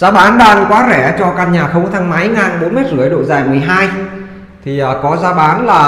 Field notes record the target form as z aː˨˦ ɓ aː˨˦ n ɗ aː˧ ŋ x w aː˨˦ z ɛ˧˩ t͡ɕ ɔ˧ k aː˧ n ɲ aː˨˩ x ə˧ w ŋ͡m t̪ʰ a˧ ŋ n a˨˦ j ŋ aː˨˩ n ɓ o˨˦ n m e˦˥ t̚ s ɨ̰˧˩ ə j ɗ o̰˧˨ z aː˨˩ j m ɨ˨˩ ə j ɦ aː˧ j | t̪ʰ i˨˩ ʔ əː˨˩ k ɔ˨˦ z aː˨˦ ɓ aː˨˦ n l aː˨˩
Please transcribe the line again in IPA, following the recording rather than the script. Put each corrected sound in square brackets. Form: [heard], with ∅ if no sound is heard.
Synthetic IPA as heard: z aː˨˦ ɓ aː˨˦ n ɗ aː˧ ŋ [k] w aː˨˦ z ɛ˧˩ t͡ɕ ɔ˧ k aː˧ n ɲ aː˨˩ x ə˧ w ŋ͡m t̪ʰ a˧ ŋ [m] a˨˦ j ŋ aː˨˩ n ɓ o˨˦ n m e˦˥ t̚ [z] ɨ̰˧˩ ə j ɗ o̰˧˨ z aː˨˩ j m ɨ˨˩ ə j ɦ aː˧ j | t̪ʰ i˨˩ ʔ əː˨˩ k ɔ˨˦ z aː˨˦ ɓ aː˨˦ n l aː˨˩